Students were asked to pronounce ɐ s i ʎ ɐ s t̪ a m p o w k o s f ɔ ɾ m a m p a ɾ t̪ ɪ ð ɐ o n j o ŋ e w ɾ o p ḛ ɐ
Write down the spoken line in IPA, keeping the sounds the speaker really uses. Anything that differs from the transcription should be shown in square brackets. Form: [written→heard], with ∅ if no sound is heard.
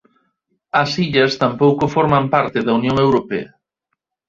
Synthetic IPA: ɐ s i ʎ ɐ s t̪ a m p o w k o [s→∅] f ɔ ɾ m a m p a ɾ t̪ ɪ ð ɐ [o→u] n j o ŋ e w ɾ o p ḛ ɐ